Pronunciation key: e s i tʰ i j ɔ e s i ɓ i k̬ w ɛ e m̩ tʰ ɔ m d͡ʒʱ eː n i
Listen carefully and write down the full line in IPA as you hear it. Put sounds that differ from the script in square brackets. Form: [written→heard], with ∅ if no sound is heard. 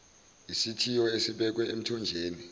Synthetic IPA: [e→i] s i tʰ i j ɔ e s i ɓ [i→ɛ] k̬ w ɛ e m̩ tʰ ɔ [m→n] d͡ʒʱ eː n i